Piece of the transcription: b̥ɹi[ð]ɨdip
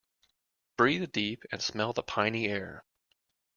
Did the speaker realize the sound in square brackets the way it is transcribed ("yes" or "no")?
yes